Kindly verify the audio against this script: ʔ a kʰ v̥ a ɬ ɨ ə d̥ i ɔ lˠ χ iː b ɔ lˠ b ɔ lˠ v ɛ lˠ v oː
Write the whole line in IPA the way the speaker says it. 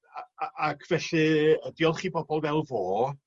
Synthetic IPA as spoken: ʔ a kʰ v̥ ɛ ɬ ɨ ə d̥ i ɔ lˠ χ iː b ɔ b ɔ lˠ v ɛ lˠ v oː